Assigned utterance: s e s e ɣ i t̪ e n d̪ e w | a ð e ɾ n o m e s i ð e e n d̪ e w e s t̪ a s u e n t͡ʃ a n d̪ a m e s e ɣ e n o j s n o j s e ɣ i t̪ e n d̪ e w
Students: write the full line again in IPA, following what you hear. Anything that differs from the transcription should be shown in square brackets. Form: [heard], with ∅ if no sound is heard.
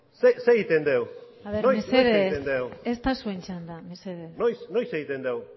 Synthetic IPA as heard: s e s e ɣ i t̪ e n d̪ e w | a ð e ɾ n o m e s [e] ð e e n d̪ e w e s t̪ a s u e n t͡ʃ a n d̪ a m e s e [ð] e n o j s n o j s e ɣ i t̪ e n d̪ e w